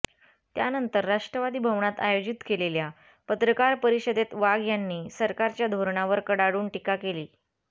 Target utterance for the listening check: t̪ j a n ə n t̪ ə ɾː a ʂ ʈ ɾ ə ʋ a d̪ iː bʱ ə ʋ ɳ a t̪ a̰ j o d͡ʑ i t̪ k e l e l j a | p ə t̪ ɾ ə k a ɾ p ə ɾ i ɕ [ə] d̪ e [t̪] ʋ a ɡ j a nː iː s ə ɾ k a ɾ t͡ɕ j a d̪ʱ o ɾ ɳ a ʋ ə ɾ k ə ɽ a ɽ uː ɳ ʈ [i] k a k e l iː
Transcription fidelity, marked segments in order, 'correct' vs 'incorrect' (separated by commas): correct, correct, correct